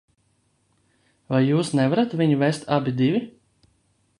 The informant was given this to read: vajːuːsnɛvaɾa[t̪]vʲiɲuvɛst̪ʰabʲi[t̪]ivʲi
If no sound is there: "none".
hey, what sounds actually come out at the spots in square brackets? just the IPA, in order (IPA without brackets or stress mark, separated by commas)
t̪, d̪